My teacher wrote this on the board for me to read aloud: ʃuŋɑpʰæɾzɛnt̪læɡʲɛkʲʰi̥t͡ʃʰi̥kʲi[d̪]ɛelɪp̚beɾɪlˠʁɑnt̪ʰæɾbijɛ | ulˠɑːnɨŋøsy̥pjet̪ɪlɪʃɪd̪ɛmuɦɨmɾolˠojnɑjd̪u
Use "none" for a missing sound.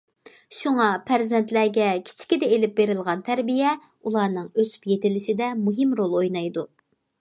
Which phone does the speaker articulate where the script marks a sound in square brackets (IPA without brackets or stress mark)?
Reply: d̪